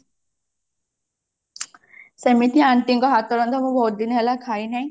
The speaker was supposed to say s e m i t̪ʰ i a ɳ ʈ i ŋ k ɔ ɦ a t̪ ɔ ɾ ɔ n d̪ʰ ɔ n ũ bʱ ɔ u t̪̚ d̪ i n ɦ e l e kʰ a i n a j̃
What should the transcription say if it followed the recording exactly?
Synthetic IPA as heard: s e m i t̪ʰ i a ɳ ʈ i ŋ k ɔ ɦ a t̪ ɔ ɾ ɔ n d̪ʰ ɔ m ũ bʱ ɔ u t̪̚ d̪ i n ɦ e l a kʰ a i n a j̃

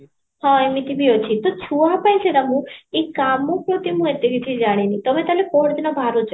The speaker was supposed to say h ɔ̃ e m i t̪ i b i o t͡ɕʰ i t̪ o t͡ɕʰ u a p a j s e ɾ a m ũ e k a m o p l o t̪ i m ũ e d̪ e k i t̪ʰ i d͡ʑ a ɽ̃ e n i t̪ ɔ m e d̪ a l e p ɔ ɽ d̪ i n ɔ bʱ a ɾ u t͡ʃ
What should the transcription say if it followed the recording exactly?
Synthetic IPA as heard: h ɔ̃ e m i t̪ i b i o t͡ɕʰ i t̪ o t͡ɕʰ u a p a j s e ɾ a m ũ e k a m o p ɾ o t̪ i m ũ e t̪ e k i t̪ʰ i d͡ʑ a ɽ̃ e n i t̪ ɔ m e t̪ a l e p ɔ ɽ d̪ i n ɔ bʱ a ɾ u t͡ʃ

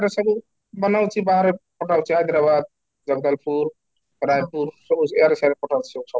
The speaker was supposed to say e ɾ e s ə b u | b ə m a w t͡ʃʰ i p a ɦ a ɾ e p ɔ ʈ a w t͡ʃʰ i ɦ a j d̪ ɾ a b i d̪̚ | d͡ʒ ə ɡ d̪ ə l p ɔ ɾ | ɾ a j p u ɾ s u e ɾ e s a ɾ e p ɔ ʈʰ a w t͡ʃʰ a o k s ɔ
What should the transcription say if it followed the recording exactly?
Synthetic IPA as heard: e ɾ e s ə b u | b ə n a w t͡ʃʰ i b a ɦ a ɾ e p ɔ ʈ a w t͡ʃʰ i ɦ a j d̪ ɾ a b a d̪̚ | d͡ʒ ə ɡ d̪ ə l p u ɾ | ɾ a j p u ɾ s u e ɾ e s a ɾ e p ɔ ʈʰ a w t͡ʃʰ i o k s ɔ

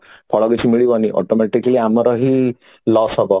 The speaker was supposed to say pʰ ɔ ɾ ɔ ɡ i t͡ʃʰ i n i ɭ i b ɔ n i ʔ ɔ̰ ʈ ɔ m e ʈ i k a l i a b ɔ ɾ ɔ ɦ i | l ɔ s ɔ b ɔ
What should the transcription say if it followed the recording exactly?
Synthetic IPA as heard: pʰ ɔ ɭ ɔ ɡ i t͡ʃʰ i m i ɭ i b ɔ n i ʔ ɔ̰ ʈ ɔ m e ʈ i k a l i a m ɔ ɾ ɔ ɦ i | l ɔ s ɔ b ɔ

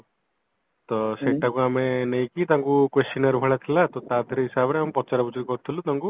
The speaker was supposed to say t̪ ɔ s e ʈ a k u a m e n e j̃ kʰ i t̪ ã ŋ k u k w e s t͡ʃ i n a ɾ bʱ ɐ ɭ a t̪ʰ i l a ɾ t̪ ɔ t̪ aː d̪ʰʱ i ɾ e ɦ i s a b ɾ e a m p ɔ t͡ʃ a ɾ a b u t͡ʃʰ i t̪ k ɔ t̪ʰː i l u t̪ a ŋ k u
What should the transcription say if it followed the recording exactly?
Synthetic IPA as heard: t̪ ɔ s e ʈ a k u a m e n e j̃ k i t̪ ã ŋ k u k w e s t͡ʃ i n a ɾ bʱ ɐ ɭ a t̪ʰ i l a t̪ ɔ t̪ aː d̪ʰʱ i ɾ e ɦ i s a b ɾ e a m p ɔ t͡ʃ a ɾ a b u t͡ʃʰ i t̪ k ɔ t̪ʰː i l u t̪ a ŋ k u

